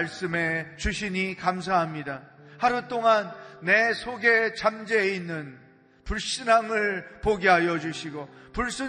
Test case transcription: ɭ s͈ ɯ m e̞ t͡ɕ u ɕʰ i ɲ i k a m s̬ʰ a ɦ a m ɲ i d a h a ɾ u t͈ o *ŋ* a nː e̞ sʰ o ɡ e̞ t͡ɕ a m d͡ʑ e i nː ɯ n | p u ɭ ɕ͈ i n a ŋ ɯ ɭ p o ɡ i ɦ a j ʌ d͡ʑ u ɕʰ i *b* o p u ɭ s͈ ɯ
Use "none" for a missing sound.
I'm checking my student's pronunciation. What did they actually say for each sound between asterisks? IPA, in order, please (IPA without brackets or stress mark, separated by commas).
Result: ŋ, ɡ